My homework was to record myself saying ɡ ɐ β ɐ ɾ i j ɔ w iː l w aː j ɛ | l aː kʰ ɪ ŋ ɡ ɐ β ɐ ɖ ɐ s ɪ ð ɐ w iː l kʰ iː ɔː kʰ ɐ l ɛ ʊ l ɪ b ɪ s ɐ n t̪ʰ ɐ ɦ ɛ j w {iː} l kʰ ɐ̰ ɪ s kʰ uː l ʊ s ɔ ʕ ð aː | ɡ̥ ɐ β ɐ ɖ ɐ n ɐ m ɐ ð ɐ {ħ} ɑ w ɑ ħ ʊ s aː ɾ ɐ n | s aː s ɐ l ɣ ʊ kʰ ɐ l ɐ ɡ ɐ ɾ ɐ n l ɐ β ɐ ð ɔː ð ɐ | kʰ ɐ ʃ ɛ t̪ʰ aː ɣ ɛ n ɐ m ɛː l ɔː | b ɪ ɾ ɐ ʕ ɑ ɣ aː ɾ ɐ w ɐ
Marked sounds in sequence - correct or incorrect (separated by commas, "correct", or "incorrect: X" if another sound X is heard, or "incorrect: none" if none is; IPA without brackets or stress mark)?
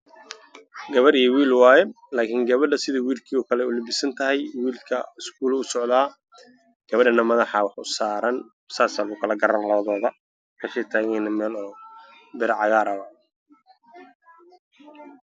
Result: correct, correct